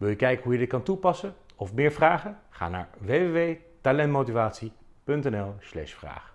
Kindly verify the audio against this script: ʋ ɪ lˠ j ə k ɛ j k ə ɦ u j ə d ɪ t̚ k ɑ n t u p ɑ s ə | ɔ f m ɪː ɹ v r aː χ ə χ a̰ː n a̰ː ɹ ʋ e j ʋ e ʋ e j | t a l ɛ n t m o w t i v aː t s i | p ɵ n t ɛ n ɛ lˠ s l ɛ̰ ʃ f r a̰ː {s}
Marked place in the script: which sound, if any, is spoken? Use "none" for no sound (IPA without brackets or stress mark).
χ